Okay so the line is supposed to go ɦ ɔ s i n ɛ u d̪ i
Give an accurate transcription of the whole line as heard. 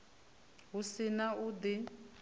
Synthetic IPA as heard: ɦ u s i n a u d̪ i